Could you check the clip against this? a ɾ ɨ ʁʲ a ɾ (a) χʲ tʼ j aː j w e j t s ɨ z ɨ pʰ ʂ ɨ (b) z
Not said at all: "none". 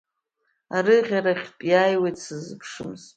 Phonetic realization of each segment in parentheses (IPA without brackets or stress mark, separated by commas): a, m